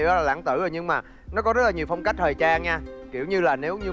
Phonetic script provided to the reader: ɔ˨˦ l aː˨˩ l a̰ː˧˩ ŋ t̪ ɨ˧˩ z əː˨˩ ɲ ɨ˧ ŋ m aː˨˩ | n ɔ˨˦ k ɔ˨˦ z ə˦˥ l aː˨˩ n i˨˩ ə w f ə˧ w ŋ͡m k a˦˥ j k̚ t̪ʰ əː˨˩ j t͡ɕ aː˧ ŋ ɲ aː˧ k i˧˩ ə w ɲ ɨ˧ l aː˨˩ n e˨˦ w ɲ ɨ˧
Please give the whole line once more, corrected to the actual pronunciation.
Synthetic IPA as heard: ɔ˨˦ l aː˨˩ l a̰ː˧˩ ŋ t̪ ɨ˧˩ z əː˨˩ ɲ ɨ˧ ŋ m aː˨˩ | n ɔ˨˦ k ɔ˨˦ z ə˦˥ l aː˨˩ ɲ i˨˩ ə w f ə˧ w ŋ͡m k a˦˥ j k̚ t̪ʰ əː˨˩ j t͡ɕ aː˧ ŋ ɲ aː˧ k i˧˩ ə w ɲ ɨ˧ l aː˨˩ n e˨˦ w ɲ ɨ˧

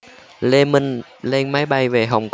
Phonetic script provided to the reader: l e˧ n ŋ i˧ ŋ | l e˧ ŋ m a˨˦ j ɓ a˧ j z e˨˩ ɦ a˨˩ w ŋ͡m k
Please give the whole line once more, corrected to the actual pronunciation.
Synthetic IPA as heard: l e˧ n m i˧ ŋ | l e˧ n m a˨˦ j ɓ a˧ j v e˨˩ ɦ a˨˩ w ŋ͡m k

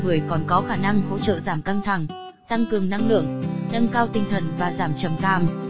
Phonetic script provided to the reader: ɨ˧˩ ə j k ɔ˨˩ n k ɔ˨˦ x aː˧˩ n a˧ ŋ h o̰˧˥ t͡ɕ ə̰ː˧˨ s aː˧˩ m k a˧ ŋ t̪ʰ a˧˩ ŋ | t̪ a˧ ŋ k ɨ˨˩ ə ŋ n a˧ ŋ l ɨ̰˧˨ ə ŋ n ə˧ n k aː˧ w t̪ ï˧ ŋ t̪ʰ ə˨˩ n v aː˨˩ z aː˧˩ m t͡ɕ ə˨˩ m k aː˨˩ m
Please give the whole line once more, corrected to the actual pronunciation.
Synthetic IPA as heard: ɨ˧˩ ə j k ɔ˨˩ n k ɔ˨˦ x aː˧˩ n a˧ ŋ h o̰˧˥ t͡ɕ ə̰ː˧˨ z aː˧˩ m k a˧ ŋ t̪ʰ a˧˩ ŋ | t̪ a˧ ŋ k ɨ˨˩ ə ŋ n a˧ ŋ l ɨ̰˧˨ ə ŋ n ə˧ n k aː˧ w t̪ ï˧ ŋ t̪ʰ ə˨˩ n v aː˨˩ z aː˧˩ m t͡ɕ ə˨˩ m k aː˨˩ m

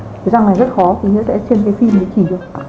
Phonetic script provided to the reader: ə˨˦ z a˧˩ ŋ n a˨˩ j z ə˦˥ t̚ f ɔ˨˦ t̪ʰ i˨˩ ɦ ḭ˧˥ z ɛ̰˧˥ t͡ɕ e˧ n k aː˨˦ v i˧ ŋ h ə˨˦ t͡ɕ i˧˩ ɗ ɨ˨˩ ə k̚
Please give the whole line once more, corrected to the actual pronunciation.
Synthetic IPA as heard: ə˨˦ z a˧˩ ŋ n a˨˩ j z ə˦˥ t̚ x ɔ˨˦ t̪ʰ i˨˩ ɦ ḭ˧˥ s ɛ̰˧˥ t͡ɕ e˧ n k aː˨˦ f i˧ m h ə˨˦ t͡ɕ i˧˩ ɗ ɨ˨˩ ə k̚

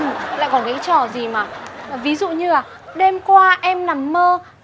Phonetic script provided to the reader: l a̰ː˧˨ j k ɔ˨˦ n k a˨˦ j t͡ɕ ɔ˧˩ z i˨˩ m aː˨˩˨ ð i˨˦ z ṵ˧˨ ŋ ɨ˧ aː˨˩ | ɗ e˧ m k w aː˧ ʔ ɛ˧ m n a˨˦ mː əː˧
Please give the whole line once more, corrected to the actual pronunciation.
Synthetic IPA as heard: l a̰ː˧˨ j k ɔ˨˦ n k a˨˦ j t͡ɕ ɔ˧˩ z i˨˩ m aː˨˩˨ v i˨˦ z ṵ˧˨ ɲ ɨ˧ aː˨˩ | ɗ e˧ m k w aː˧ ʔ ɛ˧ m n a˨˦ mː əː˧

